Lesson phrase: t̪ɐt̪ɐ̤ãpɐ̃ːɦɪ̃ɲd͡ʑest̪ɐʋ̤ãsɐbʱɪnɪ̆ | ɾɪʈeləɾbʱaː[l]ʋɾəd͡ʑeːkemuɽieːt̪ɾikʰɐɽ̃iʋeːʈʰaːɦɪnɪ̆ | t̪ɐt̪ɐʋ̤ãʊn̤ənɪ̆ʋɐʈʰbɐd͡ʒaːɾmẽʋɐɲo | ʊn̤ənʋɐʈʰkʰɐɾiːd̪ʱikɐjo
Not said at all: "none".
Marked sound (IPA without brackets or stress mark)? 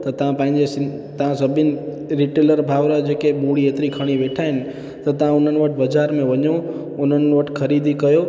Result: none